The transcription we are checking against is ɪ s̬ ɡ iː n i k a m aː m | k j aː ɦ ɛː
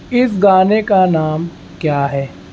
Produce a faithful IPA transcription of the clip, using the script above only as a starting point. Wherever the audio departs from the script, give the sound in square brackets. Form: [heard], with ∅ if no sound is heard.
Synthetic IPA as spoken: ɪ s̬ ɡ [aː] n [e] k a [n] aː m | k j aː ɦ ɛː

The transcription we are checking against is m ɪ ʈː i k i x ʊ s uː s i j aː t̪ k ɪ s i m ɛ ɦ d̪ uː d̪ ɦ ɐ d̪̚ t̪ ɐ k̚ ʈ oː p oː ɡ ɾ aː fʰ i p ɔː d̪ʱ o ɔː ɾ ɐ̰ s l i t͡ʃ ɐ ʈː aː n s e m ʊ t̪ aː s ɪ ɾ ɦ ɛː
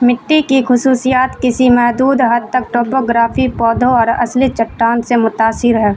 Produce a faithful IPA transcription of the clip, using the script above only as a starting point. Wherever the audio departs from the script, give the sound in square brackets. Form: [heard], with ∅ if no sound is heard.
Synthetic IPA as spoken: m ɪ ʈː i k i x ʊ s uː s i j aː t̪ k ɪ s i m ɛ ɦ d̪ uː d̪ ɦ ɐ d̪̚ t̪ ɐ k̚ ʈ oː p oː ɡ ɾ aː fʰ i p ɔː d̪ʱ o ɔː ɾ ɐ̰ s l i t͡ʃ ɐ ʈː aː n s e m ʊ t̪ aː s ɪ ɾ ɦ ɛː

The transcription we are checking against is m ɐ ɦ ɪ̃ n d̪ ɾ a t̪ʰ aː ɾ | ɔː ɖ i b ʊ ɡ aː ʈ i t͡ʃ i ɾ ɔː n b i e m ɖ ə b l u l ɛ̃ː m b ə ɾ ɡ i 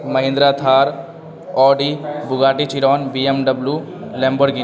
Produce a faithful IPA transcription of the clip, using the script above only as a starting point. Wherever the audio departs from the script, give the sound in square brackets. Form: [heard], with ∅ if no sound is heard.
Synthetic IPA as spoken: m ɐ ɦ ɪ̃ n d̪ ɾ a t̪ʰ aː ɾ | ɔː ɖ i b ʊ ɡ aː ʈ i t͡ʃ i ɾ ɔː n b i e m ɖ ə b l u l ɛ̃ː m b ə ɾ ɡ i

